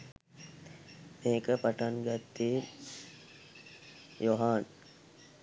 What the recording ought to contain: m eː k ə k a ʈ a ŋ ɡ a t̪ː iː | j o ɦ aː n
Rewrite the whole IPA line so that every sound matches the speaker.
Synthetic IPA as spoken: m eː k ə p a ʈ a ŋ ɡ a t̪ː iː | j o ɦ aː n